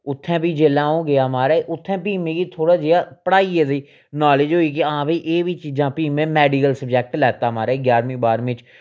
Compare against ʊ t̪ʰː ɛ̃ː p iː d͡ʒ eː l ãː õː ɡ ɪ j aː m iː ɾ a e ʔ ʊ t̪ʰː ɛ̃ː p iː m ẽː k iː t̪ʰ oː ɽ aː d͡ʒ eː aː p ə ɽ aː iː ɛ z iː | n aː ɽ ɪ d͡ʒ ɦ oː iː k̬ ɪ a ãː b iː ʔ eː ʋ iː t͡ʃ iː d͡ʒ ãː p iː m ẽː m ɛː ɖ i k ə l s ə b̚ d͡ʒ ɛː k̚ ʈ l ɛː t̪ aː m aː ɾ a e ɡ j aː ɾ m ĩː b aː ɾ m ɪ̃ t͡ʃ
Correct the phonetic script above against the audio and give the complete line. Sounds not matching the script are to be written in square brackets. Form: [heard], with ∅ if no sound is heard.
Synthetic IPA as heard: ʊ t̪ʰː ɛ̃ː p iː d͡ʒ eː l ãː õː ɡ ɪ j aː m [aː] ɾ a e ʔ ʊ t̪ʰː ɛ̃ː p iː m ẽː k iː t̪ʰ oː ɽ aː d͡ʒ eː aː p ə ɽ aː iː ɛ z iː | n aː [l] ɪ d͡ʒ ɦ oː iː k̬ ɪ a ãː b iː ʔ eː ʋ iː t͡ʃ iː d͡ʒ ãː p iː m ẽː m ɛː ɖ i k ə l s ə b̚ d͡ʒ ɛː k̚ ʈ l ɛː t̪ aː m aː ɾ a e ɡ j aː ɾ m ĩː b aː ɾ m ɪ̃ t͡ʃ

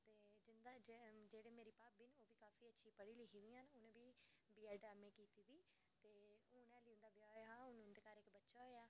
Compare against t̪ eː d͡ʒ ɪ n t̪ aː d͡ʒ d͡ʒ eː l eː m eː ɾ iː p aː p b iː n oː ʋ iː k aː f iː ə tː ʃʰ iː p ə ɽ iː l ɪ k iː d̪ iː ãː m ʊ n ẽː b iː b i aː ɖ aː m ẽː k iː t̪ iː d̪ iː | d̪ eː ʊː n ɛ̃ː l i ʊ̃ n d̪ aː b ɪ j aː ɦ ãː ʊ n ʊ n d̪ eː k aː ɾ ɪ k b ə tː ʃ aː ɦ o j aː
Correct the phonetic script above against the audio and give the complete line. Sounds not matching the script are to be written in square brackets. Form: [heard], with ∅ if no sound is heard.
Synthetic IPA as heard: t̪ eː d͡ʒ ɪ n [d̪] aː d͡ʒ d͡ʒ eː [ɽ] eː m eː ɾ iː p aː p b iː n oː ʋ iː k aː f iː ə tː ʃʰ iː p ə ɽ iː l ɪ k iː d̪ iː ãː [n] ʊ n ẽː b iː b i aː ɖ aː m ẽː k iː t̪ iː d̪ iː | [t̪] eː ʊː n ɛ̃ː l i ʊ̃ n d̪ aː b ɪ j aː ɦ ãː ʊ n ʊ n d̪ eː k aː ɾ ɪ k b ə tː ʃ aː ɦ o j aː

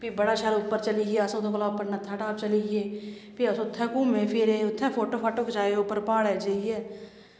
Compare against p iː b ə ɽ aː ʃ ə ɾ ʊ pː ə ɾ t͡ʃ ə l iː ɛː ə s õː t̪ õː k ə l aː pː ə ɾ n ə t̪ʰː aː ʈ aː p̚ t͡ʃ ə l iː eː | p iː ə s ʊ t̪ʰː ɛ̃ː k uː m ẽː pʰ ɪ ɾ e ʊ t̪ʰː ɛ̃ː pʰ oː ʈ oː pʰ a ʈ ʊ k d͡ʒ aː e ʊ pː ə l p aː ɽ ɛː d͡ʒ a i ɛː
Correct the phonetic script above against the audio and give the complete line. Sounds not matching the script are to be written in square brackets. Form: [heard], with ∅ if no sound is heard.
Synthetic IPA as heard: p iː b ə ɽ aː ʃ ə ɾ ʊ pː ə ɾ t͡ʃ ə l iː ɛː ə s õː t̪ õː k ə l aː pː ə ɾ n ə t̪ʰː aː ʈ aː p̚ t͡ʃ ə l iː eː | p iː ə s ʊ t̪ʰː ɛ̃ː k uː m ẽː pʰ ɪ ɾ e ʊ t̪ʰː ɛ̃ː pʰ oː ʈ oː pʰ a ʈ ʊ k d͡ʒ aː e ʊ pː ə [ɾ] p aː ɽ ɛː d͡ʒ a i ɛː

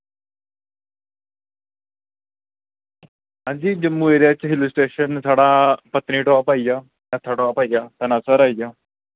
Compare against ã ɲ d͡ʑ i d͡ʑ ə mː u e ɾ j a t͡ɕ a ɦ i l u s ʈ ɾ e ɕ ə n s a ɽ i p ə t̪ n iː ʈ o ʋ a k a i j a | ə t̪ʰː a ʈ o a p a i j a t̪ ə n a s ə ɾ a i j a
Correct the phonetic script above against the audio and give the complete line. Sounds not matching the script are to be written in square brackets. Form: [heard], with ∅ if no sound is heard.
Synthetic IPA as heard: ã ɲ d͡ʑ i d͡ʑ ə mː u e ɾ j a t͡ɕ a ɦ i l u s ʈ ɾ e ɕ ə n s a ɽ [a] p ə t̪ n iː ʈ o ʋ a [p] a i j a | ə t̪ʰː a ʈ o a p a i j a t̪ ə n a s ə ɾ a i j a

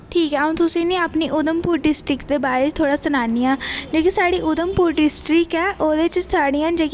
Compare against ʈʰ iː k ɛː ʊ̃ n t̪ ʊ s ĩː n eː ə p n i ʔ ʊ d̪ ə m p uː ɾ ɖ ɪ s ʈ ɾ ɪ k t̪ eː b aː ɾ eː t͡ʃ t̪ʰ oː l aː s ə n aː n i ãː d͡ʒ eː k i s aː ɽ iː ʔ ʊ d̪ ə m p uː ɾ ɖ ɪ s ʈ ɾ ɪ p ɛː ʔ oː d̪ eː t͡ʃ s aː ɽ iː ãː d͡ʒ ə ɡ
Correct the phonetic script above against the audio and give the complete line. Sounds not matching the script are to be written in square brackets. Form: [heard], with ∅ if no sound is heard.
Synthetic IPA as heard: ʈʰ iː k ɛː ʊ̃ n t̪ ʊ s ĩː n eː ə p n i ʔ ʊ d̪ ə m p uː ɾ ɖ ɪ s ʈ ɾ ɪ k [d̪] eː b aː ɾ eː t͡ʃ t̪ʰ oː [ɽ] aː s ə n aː n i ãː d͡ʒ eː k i s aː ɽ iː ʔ ʊ d̪ ə m p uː ɾ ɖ ɪ s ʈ ɾ ɪ [k] ɛː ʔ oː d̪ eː t͡ʃ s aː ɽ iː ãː d͡ʒ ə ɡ

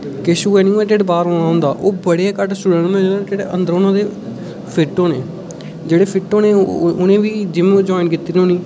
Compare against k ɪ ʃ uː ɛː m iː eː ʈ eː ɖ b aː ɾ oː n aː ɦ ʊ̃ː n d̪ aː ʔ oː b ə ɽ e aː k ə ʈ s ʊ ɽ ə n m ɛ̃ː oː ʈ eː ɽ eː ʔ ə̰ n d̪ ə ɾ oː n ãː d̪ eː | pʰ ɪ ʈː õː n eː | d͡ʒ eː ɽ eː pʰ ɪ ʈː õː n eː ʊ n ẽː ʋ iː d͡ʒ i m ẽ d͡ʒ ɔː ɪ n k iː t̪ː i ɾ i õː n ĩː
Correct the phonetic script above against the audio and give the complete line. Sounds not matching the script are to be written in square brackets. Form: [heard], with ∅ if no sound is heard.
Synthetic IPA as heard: k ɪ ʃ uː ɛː [n] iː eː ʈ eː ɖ b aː ɾ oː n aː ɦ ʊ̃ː n d̪ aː ʔ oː b ə ɽ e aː k ə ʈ s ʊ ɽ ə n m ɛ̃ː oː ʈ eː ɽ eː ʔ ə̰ n d̪ ə ɾ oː n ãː d̪ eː | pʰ ɪ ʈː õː n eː | d͡ʒ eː ɽ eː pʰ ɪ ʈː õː n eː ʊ n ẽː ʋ iː d͡ʒ [ɪ] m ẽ d͡ʒ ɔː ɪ n k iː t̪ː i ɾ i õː n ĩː

